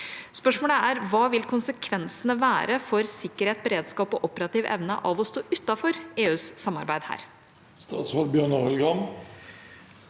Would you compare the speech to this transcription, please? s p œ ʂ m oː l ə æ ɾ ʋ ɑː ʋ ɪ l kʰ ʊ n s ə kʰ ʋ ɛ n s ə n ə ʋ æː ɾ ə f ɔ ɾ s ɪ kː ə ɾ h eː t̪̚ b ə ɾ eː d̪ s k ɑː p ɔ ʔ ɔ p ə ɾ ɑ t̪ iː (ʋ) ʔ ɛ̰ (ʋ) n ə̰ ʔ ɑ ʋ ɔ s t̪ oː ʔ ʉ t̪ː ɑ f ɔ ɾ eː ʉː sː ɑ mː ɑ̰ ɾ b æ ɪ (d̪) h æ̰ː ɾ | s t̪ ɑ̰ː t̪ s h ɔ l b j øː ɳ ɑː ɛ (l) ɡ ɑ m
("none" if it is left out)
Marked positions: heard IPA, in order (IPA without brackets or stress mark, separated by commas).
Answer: ʋ, ʋ, d̪, l